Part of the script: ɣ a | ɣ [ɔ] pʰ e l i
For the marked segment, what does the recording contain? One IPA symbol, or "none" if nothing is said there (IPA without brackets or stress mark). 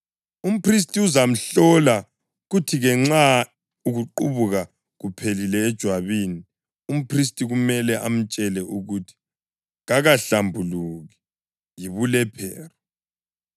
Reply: u